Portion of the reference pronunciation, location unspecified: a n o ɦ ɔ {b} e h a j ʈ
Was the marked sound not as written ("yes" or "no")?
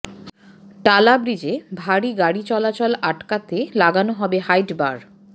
no